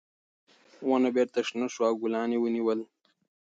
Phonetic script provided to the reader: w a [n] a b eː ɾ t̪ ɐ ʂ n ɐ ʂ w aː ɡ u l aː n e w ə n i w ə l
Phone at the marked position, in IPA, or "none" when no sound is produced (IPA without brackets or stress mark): n